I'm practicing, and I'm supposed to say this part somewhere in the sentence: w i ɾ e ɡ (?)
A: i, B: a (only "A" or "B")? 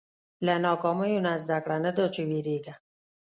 B